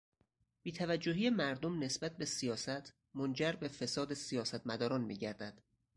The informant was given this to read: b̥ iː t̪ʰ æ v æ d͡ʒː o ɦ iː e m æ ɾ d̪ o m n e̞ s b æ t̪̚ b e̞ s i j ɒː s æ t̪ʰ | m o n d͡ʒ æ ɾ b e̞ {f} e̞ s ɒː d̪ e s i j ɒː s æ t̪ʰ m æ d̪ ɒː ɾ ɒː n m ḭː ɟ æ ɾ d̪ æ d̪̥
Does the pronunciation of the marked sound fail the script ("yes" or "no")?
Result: no